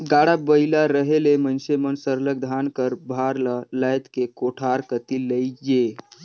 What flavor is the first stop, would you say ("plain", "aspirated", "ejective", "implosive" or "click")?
plain